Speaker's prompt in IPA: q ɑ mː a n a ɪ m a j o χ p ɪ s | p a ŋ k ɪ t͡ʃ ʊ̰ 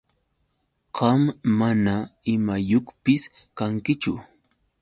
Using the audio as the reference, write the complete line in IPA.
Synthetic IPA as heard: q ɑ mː a n a ɪ m a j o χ p ɪ s | k a ŋ k ɪ t͡ʃ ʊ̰